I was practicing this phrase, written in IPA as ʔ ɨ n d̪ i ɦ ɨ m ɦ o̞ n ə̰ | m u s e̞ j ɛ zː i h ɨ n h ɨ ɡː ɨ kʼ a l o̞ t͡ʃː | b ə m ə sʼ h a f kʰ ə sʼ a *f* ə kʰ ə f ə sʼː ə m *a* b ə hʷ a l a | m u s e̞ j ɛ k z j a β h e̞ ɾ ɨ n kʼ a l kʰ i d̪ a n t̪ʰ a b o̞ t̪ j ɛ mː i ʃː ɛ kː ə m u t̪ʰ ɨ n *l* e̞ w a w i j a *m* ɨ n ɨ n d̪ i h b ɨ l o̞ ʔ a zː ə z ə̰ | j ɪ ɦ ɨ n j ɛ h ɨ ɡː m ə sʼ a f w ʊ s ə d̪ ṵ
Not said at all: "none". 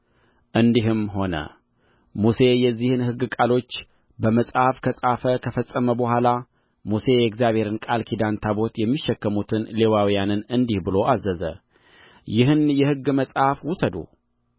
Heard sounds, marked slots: f, ə, l, n

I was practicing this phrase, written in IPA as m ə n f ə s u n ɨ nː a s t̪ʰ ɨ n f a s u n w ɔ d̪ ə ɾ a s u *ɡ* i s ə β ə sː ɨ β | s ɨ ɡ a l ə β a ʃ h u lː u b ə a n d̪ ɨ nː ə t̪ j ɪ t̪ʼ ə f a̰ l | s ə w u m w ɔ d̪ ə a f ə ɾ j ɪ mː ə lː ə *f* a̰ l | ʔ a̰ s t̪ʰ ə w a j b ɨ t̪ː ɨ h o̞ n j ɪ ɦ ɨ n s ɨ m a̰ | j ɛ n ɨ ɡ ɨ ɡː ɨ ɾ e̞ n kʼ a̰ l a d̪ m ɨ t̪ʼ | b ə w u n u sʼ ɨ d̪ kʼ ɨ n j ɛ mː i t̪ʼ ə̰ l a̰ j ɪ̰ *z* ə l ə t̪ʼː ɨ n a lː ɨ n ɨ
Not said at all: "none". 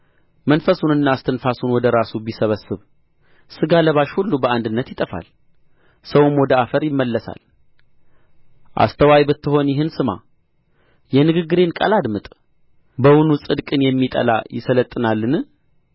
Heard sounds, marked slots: b, s, s

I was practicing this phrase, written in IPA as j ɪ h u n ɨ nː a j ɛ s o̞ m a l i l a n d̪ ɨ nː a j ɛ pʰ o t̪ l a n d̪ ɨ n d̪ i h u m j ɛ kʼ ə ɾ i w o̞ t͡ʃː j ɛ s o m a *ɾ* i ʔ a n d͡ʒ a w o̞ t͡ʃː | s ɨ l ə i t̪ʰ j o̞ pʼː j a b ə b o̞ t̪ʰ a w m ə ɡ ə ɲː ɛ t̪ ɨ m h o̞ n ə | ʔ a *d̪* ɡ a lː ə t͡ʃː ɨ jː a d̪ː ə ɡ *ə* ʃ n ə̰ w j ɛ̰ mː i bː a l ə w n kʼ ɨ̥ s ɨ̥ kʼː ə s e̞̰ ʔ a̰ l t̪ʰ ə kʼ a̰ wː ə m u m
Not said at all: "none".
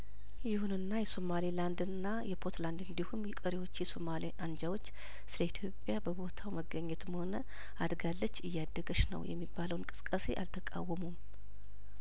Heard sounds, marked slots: l, d̪, ə

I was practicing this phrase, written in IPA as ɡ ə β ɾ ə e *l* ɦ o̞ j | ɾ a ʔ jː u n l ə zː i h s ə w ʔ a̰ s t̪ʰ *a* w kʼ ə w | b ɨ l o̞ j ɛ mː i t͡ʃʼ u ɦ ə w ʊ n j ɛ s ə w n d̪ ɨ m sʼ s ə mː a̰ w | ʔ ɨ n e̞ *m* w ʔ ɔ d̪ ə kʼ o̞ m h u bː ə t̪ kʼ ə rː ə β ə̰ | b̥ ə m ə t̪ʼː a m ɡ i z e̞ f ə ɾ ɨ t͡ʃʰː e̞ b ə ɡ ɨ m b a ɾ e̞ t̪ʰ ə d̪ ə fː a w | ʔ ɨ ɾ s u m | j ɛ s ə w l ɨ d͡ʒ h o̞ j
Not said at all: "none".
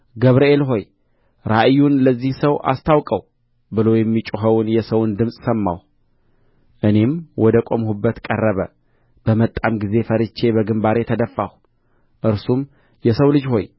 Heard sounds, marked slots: l, a, m

